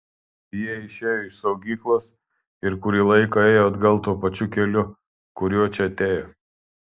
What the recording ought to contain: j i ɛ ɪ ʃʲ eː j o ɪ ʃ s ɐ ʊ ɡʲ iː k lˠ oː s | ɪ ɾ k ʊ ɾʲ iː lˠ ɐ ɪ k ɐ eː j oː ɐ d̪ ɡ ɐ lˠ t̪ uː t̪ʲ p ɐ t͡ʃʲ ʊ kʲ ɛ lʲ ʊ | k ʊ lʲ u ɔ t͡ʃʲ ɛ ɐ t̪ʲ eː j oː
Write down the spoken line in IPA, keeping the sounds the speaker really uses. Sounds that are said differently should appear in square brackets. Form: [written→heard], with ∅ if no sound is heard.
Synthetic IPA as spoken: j i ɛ ɪ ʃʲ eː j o ɪ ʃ s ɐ ʊ ɡʲ iː k lˠ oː s | ɪ ɾ k ʊ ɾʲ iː lˠ ɐ ɪ k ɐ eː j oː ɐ d̪ ɡ ɐ lˠ t̪ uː [t̪ʲ→∅] p ɐ t͡ʃʲ ʊ kʲ ɛ lʲ ʊ | k ʊ [lʲ→ɾʲ] u ɔ t͡ʃʲ ɛ ɐ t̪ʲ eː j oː

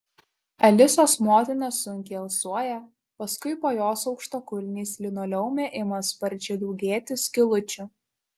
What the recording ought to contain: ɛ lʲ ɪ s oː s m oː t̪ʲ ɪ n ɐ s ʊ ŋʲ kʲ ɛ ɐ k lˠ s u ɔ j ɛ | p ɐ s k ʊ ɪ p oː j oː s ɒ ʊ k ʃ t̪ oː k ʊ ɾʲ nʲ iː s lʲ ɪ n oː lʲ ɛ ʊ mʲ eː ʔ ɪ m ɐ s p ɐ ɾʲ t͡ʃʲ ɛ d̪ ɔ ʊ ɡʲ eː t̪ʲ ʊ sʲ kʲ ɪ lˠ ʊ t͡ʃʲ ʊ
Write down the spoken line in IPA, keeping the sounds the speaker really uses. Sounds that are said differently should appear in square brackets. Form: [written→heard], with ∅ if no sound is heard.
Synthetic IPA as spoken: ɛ lʲ ɪ s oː s m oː t̪ʲ ɪ n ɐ s ʊ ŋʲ kʲ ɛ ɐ [k→∅] lˠ s u ɔ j ɛ | p ɐ s k ʊ ɪ p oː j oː s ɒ ʊ k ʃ t̪ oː k ʊ [ɾʲ→lʲ] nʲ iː s lʲ ɪ n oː lʲ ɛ ʊ mʲ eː ʔ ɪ m ɐ s p ɐ ɾʲ t͡ʃʲ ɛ d̪ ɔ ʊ ɡʲ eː t̪ʲ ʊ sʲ kʲ ɪ lˠ ʊ t͡ʃʲ ʊ

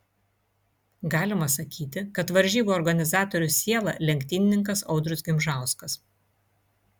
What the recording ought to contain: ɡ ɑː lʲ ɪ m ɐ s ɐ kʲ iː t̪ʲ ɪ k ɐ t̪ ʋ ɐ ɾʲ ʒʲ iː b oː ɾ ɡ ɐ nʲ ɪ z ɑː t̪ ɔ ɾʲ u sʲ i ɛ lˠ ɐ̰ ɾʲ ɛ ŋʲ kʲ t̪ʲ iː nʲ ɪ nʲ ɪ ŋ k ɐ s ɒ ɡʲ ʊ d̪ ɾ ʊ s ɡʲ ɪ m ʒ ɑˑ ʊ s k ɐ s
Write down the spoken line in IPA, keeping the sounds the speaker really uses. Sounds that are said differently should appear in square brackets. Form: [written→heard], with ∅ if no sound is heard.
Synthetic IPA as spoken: ɡ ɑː lʲ ɪ m ɐ s ɐ kʲ iː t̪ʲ ɪ k ɐ t̪ ʋ ɐ ɾʲ ʒʲ iː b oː ɾ ɡ ɐ nʲ ɪ z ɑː t̪ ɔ ɾʲ [u→ʊ] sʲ i ɛ lˠ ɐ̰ [ɾʲ→lʲ] ɛ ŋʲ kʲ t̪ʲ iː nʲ ɪ nʲ ɪ ŋ k ɐ s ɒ [ɡʲ→∅] ʊ d̪ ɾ ʊ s ɡʲ ɪ m ʒ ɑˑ ʊ s k ɐ s

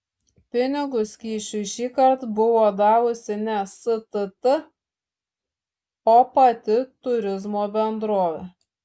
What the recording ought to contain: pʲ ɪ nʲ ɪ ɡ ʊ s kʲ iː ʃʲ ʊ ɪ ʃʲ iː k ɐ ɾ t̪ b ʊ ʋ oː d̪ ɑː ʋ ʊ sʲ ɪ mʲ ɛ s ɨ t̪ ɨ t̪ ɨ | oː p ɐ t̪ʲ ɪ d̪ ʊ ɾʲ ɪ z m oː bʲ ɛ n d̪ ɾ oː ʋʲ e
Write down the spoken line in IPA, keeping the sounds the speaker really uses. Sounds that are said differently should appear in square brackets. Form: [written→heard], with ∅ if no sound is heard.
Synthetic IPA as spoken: pʲ ɪ nʲ ɪ ɡ ʊ s kʲ iː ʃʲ ʊ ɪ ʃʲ iː k ɐ ɾ t̪ b ʊ ʋ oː d̪ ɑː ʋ ʊ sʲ ɪ [mʲ→nʲ] ɛ s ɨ t̪ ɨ t̪ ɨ | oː p ɐ t̪ʲ ɪ [d̪→t̪] ʊ ɾʲ ɪ z m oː bʲ ɛ n d̪ ɾ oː ʋʲ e

